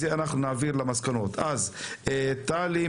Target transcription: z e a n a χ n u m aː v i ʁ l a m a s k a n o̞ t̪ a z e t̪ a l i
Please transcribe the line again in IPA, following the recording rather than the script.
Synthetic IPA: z e a n a χ n u n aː v i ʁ l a m a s k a n o̞ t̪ a z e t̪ a l i